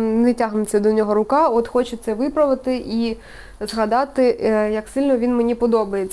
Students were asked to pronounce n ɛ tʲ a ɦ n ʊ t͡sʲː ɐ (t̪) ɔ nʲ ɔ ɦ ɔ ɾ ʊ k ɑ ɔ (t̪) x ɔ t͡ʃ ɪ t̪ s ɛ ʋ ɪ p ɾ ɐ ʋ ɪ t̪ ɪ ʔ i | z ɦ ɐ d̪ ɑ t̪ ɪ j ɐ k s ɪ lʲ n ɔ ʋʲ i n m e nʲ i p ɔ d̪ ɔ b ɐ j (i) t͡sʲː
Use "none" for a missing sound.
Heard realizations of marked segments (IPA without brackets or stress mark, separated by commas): d̪, t̪, e